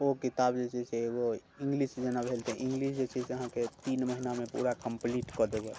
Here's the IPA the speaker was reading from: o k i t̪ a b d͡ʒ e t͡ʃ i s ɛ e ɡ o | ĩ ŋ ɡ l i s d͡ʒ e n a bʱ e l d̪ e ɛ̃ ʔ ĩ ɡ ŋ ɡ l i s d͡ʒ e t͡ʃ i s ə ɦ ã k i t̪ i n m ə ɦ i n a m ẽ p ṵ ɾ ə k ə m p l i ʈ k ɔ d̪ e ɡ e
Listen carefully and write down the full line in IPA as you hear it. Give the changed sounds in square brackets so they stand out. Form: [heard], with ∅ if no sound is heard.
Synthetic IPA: o k i t̪ a b d͡ʒ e t͡ʃ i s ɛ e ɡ o | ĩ ŋ ɡ l i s d͡ʒ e n a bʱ e l [t̪] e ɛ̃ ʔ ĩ [∅] ŋ ɡ l i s d͡ʒ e t͡ʃ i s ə ɦ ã k [e] t̪ i n m ə ɦ i n a m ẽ p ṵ ɾ [a] k ə m p l i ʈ k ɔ d̪ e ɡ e